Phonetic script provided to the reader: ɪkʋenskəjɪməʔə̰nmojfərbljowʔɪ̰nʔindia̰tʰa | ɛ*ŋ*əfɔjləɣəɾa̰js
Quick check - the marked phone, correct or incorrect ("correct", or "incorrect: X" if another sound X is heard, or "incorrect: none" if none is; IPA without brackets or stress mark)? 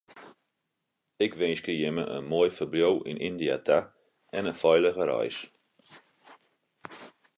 incorrect: n